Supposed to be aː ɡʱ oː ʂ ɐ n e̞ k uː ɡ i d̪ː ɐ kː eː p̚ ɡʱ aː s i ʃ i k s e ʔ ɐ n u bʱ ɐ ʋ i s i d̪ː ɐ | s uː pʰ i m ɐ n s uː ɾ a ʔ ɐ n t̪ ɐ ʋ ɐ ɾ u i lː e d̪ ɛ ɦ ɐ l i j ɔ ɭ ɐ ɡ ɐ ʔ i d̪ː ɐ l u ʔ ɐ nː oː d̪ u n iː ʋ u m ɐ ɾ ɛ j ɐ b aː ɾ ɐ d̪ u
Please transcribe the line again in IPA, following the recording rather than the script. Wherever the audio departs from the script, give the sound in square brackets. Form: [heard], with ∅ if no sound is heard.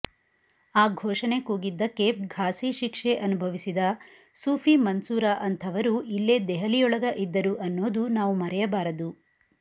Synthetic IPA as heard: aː ɡʱ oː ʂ ɐ n e̞ k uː ɡ i d̪ː ɐ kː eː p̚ ɡʱ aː s i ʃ i k [ʂ] e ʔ ɐ n u bʱ ɐ ʋ i s i [d̪] ɐ | s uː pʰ i m ɐ n s uː ɾ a ʔ ɐ n [t̪ʰ] ɐ ʋ ɐ ɾ u i lː e d̪ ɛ ɦ ɐ l i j ɔ ɭ ɐ ɡ ɐ ʔ i d̪ː ɐ [ɾ] u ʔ ɐ nː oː d̪ u n [aː] ʋ u m ɐ ɾ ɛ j ɐ b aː ɾ ɐ d̪ u

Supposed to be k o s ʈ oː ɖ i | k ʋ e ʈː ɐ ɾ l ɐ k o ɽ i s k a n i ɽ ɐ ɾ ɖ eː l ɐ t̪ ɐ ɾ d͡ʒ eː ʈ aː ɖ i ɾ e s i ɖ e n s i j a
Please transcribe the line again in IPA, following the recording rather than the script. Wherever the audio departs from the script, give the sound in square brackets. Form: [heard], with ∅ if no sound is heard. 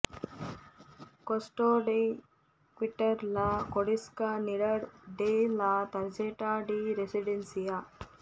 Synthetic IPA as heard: k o s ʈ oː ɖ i | k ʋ [i] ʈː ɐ ɾ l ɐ k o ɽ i s k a n i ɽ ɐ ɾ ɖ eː l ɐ t̪ ɐ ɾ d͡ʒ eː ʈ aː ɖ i ɾ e s i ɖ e n s i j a

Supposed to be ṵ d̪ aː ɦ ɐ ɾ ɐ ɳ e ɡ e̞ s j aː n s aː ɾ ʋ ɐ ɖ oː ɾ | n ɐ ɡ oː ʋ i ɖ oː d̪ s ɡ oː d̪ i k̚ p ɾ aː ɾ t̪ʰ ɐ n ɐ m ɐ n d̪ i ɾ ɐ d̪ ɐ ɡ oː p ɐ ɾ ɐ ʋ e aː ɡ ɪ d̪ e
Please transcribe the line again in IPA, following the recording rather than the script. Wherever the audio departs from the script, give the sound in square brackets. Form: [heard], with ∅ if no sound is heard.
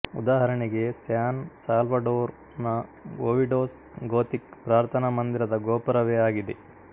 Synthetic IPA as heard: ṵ d̪ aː ɦ ɐ ɾ ɐ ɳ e ɡ e̞ s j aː n s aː [l] ʋ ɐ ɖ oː ɾ | n ɐ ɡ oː ʋ i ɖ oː [∅] s ɡ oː [t̪] i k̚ p ɾ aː ɾ t̪ʰ ɐ n ɐ m ɐ n d̪ i ɾ ɐ d̪ ɐ ɡ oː p ɐ ɾ ɐ ʋ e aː ɡ [i] d̪ e

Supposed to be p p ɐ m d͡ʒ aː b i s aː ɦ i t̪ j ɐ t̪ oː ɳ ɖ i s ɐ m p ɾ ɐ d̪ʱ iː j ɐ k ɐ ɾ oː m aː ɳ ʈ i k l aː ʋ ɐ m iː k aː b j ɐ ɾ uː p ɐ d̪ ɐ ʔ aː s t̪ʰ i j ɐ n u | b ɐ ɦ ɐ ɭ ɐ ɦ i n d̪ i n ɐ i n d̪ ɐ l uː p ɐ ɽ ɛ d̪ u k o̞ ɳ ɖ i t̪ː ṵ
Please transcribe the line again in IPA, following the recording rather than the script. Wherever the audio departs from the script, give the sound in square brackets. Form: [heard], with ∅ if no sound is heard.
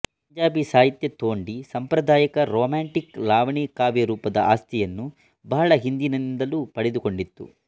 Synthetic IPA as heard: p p ɐ [ɲ] d͡ʒ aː b i s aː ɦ i t̪ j ɐ t̪ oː ɳ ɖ i s ɐ m p ɾ ɐ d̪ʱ [aː] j ɐ k ɐ ɾ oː m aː ɳ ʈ i k l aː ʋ ɐ [ɳ] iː k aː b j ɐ ɾ uː p ɐ d̪ ɐ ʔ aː s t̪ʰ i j ɐ [nː] u | b ɐ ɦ ɐ ɭ ɐ ɦ i n d̪ i n ɐ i n d̪ ɐ l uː p ɐ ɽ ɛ d̪ u k o̞ ɳ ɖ i t̪ː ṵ

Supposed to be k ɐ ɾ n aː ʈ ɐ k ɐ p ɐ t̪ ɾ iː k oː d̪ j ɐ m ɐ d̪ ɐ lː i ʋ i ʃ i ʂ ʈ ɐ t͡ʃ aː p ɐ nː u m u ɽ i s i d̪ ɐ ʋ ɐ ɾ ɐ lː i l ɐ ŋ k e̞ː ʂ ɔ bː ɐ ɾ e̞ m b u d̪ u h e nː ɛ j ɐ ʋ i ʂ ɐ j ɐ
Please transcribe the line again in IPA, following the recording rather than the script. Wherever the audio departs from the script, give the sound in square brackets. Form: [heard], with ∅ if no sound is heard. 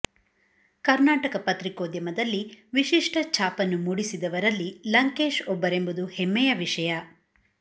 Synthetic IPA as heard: k ɐ ɾ n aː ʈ ɐ k ɐ p ɐ t̪ ɾ [i] k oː d̪ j ɐ m ɐ d̪ ɐ lː i ʋ i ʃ i ʂ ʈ ɐ t͡ʃ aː p ɐ nː u m u ɽ i s i d̪ ɐ ʋ ɐ ɾ ɐ lː i l ɐ ŋ k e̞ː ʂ ɔ bː ɐ ɾ e̞ m b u d̪ u h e [mː] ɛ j ɐ ʋ i ʂ ɐ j ɐ

